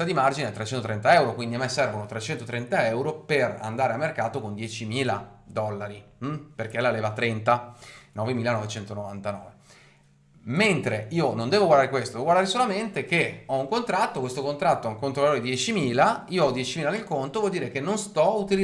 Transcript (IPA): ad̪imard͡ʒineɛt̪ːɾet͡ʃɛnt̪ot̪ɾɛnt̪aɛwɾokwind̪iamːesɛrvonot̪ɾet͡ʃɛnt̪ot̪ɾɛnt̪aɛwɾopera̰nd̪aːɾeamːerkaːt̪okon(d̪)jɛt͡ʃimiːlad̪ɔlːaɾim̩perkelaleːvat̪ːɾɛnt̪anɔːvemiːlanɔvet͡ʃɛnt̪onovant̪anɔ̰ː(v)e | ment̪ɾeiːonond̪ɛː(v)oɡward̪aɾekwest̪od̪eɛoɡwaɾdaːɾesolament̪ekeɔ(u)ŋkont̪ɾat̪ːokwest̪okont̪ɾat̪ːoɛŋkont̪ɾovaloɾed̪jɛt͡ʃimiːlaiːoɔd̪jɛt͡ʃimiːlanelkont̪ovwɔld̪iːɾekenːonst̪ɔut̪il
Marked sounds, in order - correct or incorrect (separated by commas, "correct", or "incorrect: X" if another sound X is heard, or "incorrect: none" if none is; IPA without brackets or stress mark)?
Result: correct, correct, correct, correct